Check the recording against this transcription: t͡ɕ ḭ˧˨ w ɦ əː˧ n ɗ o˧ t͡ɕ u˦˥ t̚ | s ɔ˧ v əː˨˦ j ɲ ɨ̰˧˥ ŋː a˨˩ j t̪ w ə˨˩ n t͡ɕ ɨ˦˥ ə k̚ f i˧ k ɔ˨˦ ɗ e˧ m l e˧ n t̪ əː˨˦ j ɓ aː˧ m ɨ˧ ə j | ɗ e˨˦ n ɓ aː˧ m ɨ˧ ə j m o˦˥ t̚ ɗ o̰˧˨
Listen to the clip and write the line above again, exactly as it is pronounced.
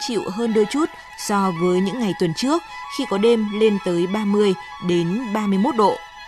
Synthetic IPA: t͡ɕ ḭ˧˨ w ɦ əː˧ n ɗ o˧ t͡ɕ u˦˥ t̚ | s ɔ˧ v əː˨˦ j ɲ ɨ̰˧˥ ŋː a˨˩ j t̪ w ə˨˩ n t͡ɕ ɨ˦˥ ə k̚ x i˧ k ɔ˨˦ ɗ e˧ m l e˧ n t̪ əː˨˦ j ɓ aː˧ m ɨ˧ ə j | ɗ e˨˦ n ɓ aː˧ m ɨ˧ ə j m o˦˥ t̚ ɗ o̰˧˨